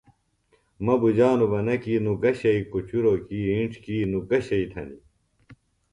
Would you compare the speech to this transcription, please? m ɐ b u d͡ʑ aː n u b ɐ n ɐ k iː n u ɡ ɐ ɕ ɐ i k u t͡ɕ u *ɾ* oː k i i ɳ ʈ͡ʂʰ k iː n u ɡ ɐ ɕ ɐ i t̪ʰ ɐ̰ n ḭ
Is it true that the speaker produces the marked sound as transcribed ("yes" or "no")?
yes